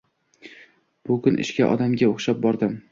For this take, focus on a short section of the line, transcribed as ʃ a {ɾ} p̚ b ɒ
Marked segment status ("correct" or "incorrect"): incorrect